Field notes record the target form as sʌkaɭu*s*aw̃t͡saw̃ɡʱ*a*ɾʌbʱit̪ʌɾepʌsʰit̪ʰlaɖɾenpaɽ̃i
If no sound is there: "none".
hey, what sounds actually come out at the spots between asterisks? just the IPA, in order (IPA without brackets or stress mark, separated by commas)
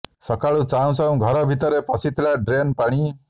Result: t͡s, ʌ